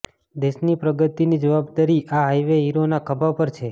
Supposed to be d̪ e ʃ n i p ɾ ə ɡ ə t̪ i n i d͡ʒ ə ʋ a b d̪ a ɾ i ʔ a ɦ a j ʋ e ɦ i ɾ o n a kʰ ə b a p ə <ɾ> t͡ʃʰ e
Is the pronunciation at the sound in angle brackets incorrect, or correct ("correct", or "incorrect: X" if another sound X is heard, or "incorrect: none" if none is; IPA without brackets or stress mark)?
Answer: correct